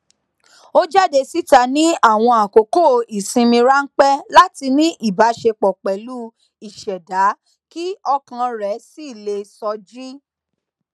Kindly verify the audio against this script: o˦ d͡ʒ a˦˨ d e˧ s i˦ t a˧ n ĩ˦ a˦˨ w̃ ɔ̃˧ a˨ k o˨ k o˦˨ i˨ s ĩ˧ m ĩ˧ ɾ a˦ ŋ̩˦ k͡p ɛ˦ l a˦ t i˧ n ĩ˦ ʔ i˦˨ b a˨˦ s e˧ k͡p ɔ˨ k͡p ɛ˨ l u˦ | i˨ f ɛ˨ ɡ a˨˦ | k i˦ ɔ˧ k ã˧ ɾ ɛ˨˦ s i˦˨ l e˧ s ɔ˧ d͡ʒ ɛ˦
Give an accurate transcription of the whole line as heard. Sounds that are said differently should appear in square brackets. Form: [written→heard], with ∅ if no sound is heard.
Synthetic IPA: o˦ d͡ʒ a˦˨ d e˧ s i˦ t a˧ n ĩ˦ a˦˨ w̃ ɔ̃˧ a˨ k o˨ k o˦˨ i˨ s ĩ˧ m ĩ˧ ɾ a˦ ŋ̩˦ k͡p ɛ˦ l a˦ t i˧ n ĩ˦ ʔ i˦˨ b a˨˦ [s→ʃ] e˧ k͡p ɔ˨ k͡p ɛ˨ l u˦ | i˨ [f→ʃ] ɛ˨ [ɡ→d] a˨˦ | k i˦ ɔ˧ k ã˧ ɾ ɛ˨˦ s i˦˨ l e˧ s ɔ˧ d͡ʒ [ɛ˦→i˦]